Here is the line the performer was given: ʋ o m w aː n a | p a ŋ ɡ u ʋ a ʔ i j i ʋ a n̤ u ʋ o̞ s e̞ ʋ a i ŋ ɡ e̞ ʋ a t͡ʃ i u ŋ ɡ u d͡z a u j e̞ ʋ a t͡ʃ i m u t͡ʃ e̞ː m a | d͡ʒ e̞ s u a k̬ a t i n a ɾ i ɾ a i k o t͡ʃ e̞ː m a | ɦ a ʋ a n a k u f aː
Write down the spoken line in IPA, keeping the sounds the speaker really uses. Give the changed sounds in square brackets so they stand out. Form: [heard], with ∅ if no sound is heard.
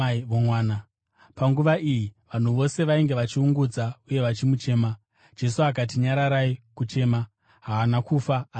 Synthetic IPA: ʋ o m w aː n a | p a ŋ ɡ u ʋ a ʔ i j i ʋ a n̤ u ʋ o̞ s e̞ ʋ a i ŋ ɡ e̞ ʋ a t͡ʃ i u ŋ ɡ u d͡z a u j e̞ ʋ a t͡ʃ i m u t͡ʃ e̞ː m a | d͡ʒ e̞ s u a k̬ a t i [ɲ] a ɾ [a] ɾ a i k [u] t͡ʃ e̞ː m a | ɦ a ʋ a n a k u f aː